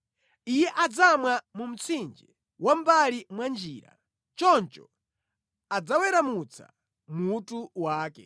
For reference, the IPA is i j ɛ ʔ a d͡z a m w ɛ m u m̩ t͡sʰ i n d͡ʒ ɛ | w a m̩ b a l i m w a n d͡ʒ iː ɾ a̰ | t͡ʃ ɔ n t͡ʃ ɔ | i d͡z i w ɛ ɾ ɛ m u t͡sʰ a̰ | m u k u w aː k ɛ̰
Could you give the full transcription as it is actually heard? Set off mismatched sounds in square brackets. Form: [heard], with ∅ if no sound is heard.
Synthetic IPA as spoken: i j ɛ ʔ a d͡z a m w [a] m u m̩ t͡sʰ i n d͡ʒ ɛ | w a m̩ b a l i m w a n d͡ʒ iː ɾ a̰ | t͡ʃ ɔ n t͡ʃ ɔ | [a] d͡z [a] w ɛ ɾ [a] m u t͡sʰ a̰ | m u [t] u w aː k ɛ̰